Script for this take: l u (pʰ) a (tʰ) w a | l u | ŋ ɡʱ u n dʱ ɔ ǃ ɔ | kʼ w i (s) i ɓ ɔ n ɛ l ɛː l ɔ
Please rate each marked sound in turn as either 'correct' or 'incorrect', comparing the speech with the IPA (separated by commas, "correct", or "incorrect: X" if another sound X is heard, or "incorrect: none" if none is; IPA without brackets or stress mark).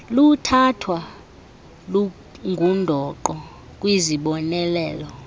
incorrect: tʰ, correct, incorrect: z